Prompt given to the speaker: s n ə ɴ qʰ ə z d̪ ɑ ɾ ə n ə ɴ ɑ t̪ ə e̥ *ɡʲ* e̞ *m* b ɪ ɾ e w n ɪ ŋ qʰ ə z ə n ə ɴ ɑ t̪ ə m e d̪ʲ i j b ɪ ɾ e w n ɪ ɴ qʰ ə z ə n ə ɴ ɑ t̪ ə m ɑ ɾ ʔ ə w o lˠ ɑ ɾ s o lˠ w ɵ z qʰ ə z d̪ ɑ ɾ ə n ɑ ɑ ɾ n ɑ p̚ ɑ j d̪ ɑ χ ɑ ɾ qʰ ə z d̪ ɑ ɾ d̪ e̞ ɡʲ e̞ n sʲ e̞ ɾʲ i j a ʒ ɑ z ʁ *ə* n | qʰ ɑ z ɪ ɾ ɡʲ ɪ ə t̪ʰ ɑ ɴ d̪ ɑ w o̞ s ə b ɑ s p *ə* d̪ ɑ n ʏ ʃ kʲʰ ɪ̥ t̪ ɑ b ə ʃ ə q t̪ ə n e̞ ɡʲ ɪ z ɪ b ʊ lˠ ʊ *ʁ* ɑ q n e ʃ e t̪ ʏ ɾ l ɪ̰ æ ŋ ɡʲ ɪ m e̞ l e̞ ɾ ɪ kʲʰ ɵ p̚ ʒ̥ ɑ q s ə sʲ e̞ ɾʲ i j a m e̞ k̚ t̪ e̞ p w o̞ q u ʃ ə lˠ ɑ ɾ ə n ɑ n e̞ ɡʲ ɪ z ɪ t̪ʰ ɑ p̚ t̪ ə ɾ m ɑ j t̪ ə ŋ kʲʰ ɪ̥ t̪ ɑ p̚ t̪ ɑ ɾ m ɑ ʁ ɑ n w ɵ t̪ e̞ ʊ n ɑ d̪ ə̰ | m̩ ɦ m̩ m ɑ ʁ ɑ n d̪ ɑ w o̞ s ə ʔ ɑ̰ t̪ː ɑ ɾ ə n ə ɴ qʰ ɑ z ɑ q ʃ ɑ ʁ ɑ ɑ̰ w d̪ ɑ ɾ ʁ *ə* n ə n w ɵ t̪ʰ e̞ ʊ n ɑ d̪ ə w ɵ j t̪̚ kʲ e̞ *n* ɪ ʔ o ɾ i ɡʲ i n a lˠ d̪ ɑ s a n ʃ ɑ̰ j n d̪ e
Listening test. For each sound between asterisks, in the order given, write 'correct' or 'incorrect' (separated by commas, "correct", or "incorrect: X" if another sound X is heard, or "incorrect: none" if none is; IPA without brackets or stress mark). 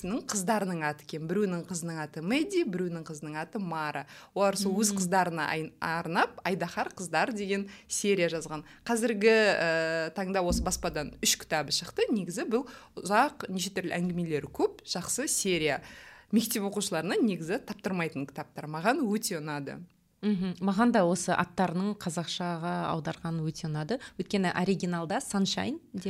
incorrect: kʲ, incorrect: n, incorrect: ɑ, incorrect: ɑ, incorrect: z, incorrect: ɑ, correct